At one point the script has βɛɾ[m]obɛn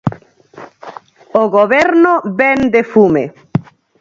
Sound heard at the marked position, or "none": n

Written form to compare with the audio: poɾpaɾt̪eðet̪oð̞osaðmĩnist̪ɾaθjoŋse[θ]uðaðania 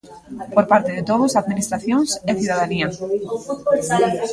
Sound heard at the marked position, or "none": θ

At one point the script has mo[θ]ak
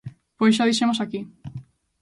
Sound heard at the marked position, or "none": s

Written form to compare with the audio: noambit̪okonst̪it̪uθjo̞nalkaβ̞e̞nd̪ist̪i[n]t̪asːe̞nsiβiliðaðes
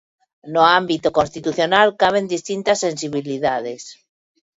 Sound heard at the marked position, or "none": n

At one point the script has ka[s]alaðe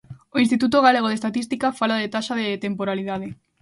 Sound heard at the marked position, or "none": f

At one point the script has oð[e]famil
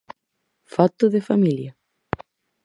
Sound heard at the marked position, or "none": e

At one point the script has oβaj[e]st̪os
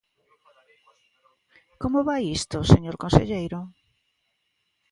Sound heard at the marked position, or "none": i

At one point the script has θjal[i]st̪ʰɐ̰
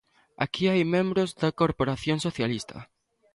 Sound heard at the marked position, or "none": i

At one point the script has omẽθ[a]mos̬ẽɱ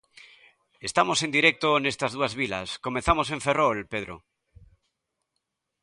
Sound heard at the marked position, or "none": a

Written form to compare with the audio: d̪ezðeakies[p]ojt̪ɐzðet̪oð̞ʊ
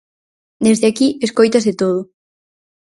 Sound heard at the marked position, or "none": k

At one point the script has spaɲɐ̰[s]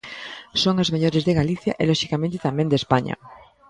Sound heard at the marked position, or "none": none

